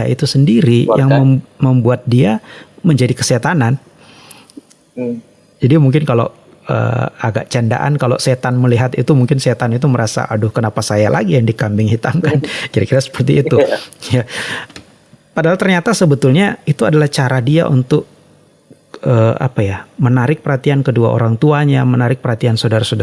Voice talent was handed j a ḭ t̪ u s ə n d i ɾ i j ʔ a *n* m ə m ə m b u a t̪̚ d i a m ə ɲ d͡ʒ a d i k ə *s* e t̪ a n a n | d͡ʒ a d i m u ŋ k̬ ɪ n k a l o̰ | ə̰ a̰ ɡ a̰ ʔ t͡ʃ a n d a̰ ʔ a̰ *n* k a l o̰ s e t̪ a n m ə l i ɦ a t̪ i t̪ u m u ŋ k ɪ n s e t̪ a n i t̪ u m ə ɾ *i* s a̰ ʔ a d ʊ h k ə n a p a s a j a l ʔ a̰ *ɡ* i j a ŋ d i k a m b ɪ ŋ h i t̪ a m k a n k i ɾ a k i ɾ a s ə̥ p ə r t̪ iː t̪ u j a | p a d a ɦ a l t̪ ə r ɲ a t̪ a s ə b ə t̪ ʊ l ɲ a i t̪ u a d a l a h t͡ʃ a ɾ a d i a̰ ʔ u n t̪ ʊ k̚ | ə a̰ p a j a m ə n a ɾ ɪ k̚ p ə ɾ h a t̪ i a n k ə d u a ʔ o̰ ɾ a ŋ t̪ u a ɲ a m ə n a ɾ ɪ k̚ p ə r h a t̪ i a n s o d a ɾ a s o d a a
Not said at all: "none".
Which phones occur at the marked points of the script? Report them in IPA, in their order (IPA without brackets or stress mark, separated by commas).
ŋ, s, n, a, ɡ